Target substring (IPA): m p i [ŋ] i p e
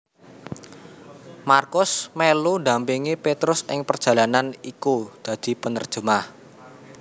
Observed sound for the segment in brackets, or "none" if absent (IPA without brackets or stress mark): ŋ